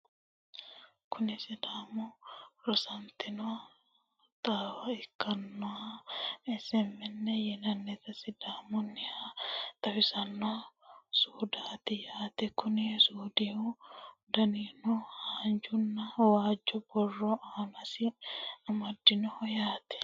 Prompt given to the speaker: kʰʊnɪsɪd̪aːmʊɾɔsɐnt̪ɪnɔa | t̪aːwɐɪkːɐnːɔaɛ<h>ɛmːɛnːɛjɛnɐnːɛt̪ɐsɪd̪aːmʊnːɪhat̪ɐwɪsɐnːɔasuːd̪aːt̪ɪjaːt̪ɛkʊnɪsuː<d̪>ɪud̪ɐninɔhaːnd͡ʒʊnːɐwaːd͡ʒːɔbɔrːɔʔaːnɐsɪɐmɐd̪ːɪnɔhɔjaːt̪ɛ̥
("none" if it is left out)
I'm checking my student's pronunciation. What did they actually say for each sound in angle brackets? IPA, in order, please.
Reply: s, d̪

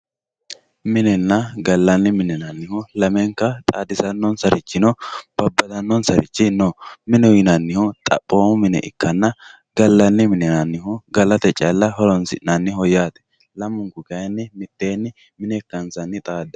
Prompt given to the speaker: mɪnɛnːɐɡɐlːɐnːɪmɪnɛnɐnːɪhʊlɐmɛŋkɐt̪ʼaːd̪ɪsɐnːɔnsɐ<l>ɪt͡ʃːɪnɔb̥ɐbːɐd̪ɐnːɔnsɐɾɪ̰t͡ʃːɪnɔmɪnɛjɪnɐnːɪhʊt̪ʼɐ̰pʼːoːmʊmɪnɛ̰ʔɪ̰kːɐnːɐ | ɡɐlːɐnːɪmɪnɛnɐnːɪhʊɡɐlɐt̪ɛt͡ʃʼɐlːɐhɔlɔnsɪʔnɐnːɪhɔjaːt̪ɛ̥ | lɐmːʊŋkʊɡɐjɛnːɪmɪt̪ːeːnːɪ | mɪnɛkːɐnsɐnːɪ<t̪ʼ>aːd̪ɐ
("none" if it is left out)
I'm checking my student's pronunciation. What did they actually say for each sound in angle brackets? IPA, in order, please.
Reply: ɾ, t̪ʼ

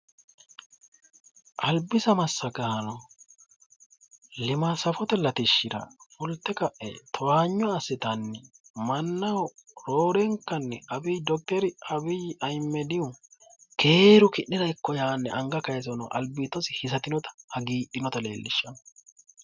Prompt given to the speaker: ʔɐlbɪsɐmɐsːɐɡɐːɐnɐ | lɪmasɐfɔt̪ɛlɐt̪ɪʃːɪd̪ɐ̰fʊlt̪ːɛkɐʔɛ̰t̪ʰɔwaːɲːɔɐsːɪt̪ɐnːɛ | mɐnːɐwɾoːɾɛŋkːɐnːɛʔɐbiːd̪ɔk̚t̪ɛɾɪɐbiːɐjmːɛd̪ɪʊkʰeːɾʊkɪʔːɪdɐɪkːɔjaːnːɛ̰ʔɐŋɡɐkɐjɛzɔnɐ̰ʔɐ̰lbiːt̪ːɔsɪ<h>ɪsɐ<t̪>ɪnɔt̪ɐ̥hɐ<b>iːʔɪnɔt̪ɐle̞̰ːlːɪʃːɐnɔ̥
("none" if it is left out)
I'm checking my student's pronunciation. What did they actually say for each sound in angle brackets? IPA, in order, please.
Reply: h, t̪, ɡ

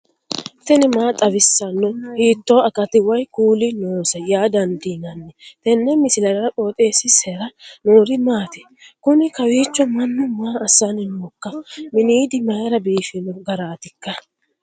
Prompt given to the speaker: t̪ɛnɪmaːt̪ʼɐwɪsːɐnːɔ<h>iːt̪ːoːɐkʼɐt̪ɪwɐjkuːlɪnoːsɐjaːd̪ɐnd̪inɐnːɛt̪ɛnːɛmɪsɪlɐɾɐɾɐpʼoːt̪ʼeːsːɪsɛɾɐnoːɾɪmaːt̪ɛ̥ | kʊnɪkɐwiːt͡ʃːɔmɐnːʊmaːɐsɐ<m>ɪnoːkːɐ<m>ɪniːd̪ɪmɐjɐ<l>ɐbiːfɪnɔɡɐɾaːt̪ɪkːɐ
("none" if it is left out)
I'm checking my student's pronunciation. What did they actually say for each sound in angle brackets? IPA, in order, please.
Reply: h, n, m, ɾ

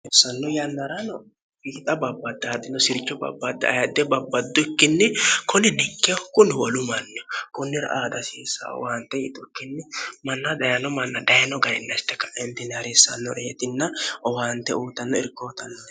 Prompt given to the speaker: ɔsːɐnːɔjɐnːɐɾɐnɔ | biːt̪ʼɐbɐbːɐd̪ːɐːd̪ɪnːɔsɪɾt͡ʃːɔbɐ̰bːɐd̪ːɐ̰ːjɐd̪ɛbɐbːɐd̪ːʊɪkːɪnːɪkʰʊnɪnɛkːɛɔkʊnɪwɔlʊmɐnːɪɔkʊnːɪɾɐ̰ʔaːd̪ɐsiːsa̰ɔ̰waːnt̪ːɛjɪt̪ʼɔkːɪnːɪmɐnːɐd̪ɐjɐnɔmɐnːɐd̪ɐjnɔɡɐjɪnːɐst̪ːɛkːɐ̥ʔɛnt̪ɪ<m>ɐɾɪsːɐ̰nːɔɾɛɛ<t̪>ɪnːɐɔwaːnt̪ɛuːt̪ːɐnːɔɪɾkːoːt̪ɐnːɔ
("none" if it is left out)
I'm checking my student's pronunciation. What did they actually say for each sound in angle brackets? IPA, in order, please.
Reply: n, t̪

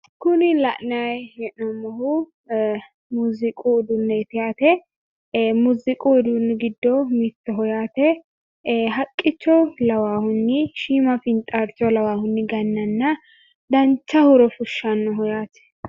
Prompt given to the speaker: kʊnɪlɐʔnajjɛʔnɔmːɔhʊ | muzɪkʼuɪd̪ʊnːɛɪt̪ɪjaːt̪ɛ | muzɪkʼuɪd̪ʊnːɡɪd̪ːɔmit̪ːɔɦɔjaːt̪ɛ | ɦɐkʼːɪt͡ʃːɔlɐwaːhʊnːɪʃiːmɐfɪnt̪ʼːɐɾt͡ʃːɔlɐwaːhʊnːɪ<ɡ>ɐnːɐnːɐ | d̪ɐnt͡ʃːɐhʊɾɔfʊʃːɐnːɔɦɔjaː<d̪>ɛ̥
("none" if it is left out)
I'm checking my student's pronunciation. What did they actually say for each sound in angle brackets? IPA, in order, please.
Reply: ɡ, t̪

